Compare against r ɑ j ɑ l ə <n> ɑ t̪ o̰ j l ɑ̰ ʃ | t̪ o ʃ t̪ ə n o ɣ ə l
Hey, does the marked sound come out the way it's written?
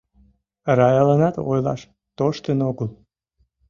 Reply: yes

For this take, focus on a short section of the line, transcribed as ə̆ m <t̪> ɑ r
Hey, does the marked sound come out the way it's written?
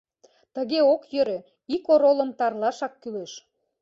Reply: yes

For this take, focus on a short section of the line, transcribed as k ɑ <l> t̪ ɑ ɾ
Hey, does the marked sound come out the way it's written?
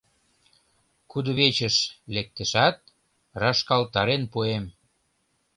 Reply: yes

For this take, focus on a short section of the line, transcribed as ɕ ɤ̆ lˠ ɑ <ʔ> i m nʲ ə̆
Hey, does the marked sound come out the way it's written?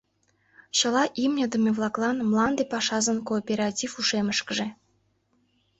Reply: yes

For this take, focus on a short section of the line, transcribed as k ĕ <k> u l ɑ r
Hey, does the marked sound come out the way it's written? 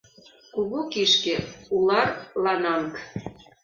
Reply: no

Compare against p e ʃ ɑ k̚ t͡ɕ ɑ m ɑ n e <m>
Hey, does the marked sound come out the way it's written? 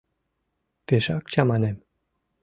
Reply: yes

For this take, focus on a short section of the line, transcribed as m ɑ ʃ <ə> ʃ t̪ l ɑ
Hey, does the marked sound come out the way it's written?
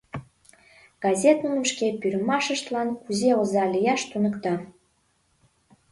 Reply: yes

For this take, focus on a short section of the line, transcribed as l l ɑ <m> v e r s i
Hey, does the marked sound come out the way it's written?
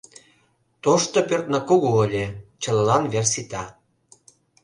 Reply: no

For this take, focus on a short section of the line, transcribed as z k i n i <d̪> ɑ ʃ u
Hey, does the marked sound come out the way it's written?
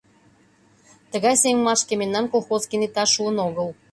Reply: no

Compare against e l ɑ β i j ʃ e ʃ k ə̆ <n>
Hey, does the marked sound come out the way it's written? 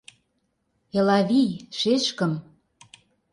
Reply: no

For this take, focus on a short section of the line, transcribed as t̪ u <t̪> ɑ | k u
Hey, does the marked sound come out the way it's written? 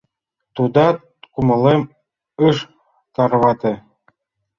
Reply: no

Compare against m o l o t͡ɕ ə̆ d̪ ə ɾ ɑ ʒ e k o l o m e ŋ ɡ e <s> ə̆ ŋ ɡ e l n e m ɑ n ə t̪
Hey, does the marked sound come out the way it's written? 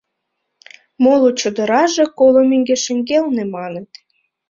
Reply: no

